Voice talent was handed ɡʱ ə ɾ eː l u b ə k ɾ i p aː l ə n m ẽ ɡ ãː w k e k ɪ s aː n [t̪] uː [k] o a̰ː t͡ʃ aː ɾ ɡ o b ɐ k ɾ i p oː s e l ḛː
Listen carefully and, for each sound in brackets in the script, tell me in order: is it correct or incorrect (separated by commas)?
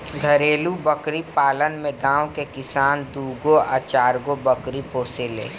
incorrect, incorrect